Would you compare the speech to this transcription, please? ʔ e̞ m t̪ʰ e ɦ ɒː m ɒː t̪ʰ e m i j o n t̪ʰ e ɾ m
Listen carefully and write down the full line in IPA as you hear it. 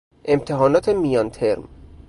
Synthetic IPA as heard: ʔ e̞ m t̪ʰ e ɦ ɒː n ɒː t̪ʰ e m i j ɒ n t̪ʰ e ɾ m